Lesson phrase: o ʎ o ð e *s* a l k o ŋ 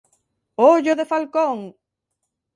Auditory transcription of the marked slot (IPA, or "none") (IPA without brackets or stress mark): f